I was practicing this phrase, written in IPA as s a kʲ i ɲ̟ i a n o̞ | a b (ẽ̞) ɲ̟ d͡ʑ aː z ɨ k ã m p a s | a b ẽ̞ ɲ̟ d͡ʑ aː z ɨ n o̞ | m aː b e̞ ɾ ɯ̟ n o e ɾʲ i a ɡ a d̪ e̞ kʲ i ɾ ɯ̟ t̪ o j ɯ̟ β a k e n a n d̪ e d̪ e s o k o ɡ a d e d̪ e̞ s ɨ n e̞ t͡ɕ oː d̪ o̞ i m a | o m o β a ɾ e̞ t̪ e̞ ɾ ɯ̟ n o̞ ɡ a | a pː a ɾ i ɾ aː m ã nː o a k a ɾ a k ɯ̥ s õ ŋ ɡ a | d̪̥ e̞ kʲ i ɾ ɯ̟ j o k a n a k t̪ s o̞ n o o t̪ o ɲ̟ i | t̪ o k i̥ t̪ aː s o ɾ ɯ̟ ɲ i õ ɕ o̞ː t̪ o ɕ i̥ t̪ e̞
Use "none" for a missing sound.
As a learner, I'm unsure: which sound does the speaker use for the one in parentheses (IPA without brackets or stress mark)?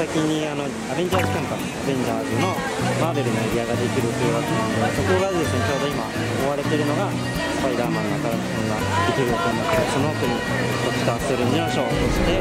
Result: e̞